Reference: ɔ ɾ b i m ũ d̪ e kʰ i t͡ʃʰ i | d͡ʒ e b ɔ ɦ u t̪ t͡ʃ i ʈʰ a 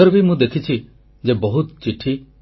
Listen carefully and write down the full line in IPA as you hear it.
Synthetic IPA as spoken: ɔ ɾ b i m ũ d̪ e kʰ i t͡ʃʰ i | d͡ʒ e b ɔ ɦ u t̪ t͡ʃ i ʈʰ i